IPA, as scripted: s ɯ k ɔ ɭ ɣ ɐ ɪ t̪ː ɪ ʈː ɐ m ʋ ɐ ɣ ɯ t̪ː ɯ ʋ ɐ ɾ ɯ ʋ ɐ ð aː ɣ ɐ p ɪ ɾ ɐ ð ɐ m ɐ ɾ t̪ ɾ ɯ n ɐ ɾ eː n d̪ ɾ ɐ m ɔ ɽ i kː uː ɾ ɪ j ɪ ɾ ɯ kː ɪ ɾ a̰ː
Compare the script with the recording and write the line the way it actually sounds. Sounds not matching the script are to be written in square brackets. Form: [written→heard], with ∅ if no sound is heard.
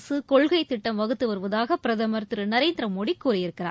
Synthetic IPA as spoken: s ɯ k ɔ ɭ ɣ ɐ ɪ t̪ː ɪ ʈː ɐ m ʋ ɐ ɣ ɯ t̪ː ɯ ʋ ɐ ɾ ɯ ʋ ɐ ð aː ɣ ɐ p ɪ ɾ ɐ ð ɐ m ɐ ɾ t̪ ɾ ɯ n ɐ ɾ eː n d̪ ɾ ɐ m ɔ ɽ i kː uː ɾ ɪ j ɪ ɾ ɯ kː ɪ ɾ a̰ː